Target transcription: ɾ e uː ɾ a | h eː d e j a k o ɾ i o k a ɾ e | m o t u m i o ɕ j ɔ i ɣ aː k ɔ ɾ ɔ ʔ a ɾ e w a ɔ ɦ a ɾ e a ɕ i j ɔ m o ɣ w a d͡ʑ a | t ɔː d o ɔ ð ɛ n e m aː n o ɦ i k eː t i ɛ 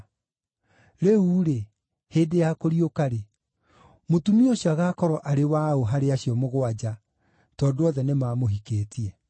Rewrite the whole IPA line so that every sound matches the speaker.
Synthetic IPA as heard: ɾ e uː ɾ e | h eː d e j a k o ɾ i o k a ɾ e | m o t u m i o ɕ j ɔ a ɣ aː k ɔ ɾ ɔ ʔ a ɾ e w a o ɦ a ɾ e a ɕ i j ɔ m o ɣ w a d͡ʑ a | t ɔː d o ɔ ð ɛ n e m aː m o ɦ i k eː t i ɛ